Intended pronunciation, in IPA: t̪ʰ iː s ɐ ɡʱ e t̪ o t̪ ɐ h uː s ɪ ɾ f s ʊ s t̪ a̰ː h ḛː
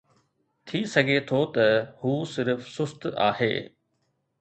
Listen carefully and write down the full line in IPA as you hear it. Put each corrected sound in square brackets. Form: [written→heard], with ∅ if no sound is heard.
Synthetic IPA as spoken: t̪ʰ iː s ɐ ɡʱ e [t̪→t̪ʰ] o t̪ ɐ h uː s ɪ ɾ f s ʊ s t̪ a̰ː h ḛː